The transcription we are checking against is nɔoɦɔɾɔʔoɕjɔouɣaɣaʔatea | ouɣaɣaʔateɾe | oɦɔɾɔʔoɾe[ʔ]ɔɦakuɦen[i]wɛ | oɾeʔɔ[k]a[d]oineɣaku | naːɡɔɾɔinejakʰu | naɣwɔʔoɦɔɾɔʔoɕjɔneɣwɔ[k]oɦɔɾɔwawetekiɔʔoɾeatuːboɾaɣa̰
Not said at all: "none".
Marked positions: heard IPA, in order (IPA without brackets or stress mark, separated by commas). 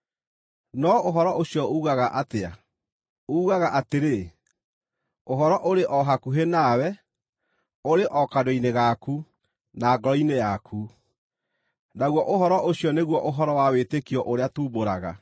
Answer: ʔ, a, k, d, ʔ